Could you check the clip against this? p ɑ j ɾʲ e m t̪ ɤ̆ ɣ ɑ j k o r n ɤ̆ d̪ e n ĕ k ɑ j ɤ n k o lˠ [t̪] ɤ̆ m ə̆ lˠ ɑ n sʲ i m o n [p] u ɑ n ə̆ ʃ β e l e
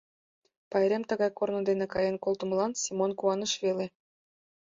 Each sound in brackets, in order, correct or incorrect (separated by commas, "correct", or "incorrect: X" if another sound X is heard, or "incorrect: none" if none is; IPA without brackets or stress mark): correct, incorrect: k